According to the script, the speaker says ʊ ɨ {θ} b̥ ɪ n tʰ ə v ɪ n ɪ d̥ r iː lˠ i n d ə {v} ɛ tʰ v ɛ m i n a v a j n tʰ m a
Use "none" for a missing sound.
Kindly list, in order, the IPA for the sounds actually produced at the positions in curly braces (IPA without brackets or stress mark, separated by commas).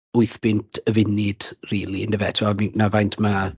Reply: θ, v